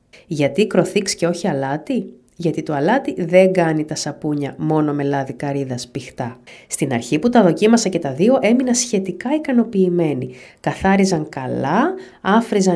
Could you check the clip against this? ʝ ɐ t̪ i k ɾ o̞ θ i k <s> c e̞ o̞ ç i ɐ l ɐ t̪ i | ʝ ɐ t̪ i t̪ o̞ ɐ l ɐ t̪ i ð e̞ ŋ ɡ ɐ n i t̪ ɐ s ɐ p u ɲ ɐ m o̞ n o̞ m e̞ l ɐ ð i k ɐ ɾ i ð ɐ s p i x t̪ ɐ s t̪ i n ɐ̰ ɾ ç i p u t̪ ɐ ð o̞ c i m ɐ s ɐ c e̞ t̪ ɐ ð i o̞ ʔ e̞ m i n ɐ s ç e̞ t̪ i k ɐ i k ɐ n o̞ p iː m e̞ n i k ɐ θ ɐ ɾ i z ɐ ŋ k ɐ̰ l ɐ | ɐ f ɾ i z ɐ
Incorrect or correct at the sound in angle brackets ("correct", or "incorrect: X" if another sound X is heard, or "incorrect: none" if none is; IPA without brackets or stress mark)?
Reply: correct